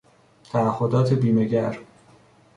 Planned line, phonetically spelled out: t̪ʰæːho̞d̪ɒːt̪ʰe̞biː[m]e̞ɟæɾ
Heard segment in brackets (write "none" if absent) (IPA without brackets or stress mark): m